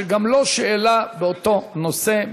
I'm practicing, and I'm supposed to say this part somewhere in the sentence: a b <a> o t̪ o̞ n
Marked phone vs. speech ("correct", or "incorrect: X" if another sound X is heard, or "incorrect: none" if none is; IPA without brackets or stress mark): incorrect: e